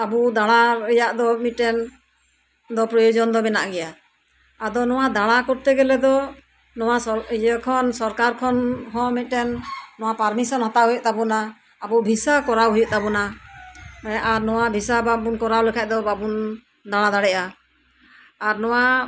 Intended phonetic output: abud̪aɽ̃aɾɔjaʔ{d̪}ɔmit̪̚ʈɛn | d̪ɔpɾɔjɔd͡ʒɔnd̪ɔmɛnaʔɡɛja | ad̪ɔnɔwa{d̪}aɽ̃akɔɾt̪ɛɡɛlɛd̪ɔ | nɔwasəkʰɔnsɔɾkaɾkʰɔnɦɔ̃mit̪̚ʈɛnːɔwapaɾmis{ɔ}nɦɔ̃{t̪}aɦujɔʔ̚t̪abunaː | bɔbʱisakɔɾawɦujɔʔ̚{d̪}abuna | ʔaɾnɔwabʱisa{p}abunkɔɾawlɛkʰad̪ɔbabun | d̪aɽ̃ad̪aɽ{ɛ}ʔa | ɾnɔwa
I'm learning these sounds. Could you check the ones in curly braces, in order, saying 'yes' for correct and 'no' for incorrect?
yes, yes, yes, yes, no, no, yes

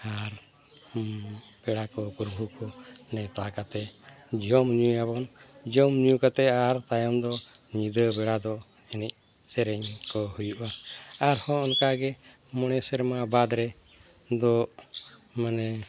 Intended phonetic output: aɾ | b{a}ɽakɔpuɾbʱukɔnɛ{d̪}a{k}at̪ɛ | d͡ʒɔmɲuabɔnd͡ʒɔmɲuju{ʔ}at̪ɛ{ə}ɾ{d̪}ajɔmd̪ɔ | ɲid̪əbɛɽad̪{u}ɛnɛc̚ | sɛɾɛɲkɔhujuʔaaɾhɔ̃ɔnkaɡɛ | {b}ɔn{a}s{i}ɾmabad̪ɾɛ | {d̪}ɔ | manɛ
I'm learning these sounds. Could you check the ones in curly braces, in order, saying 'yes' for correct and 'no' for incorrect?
no, no, yes, no, no, no, no, no, no, no, yes

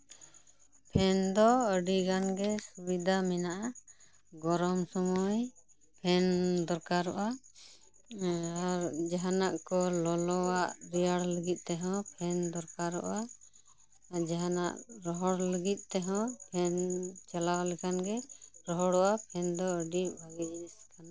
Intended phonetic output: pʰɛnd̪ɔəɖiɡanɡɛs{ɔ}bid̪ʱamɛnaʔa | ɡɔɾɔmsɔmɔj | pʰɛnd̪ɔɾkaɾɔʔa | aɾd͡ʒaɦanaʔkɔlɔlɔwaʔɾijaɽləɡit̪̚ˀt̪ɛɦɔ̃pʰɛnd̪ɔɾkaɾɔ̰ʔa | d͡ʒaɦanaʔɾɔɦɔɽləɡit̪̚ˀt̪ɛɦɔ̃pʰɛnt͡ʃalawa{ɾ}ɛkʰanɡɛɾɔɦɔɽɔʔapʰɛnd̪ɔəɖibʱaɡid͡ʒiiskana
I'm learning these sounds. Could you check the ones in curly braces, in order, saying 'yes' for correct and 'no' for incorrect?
no, no

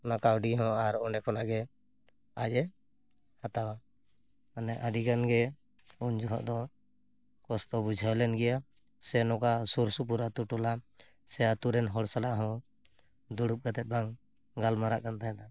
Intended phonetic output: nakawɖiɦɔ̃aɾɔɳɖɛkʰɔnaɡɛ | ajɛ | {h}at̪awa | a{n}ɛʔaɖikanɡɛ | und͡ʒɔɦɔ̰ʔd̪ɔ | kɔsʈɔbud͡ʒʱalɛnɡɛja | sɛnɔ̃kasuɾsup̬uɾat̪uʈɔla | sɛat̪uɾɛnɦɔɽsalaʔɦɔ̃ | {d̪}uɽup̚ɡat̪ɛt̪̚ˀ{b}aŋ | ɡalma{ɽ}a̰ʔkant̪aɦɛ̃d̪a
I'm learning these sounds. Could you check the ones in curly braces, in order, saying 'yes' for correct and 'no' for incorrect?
yes, yes, yes, yes, no

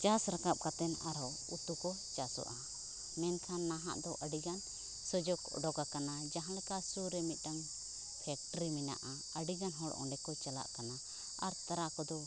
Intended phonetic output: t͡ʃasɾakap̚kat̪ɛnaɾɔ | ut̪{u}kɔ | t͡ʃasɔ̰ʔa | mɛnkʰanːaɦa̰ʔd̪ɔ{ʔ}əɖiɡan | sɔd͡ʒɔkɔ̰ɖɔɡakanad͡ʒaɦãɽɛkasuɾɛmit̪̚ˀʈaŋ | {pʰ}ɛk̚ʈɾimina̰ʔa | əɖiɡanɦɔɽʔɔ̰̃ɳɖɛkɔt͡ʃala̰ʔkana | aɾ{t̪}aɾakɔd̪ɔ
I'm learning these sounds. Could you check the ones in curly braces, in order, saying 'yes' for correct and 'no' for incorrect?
yes, yes, yes, yes

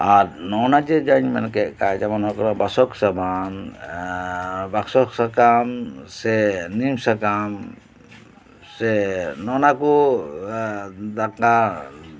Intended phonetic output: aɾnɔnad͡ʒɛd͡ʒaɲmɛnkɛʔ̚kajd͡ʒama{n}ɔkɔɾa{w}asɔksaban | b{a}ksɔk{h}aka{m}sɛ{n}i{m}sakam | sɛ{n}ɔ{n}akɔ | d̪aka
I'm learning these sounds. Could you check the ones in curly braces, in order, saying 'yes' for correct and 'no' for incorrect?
yes, no, yes, no, yes, yes, yes, yes, yes

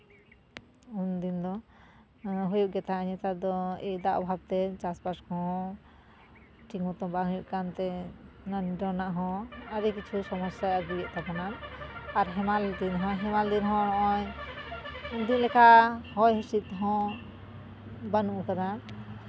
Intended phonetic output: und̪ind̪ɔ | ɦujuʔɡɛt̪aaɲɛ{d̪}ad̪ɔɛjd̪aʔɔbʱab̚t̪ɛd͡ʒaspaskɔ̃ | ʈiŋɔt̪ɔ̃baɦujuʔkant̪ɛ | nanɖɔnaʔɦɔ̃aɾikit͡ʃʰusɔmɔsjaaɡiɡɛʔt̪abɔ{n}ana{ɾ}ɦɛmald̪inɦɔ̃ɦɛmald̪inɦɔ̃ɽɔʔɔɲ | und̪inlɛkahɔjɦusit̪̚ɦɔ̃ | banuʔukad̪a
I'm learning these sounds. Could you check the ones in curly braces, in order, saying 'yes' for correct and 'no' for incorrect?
no, yes, yes

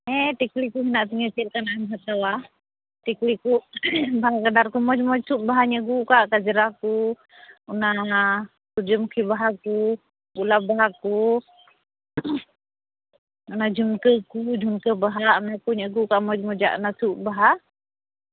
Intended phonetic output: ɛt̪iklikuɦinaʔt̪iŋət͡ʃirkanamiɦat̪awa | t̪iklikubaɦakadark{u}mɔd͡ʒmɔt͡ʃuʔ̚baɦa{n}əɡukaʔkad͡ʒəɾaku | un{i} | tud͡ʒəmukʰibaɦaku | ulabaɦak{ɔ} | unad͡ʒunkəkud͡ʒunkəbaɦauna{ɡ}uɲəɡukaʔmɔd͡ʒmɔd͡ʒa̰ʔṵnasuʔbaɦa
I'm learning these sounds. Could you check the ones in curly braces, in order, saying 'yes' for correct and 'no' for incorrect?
yes, no, no, no, no

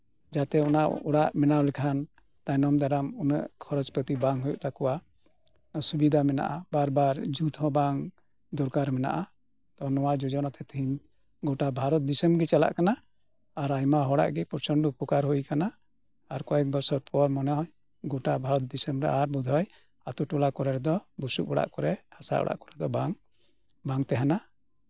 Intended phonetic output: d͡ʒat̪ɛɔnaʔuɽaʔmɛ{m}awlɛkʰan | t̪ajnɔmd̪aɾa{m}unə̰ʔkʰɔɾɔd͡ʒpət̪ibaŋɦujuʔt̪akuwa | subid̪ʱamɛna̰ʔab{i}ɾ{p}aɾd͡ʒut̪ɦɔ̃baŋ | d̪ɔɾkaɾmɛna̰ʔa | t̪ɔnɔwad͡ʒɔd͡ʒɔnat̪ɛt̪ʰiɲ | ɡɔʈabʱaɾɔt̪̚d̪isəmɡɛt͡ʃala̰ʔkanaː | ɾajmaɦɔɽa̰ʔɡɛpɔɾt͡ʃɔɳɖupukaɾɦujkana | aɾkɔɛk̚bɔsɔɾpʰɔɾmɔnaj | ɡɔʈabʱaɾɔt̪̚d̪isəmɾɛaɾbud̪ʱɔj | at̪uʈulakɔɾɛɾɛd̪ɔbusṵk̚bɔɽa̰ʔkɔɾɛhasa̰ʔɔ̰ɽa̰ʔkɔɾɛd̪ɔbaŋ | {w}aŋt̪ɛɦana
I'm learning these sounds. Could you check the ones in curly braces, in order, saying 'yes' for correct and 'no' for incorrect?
no, yes, no, no, no

